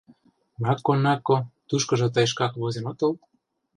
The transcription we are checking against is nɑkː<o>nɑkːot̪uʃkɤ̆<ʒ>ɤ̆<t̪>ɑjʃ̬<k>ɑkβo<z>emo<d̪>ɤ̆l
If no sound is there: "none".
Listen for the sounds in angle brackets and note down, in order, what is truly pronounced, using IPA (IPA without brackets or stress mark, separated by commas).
o, ʒ, t̪, k, z, t̪